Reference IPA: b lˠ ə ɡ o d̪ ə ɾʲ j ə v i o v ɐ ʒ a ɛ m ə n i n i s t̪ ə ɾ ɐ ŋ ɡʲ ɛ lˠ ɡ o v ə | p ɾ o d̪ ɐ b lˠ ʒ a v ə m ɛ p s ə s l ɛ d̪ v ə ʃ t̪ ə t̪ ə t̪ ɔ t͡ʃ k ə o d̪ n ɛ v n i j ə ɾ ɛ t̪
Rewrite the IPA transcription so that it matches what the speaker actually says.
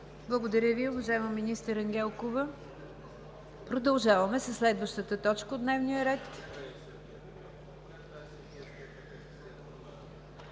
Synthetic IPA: b lˠ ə ɡ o d̪ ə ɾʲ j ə v i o v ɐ ʒ a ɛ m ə m i n i s t̪ ə ɾ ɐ ŋ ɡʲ ɛ lˠ k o v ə | p ɾ o d̪ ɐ lˠ ʒ a v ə m ɛ s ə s l ɛ d̪ v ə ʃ t̪ ə t̪ ə t̪ ɔ t͡ʃ k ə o d̪ n ɛ v n i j ə ɾ ɛ t̪